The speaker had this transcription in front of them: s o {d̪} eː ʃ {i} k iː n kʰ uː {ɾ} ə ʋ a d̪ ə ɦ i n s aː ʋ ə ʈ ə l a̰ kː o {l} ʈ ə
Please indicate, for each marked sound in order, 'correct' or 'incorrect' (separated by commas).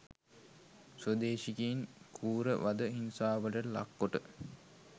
correct, correct, correct, incorrect